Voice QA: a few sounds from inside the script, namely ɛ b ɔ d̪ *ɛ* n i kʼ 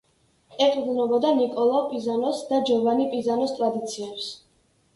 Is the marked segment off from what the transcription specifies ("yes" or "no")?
yes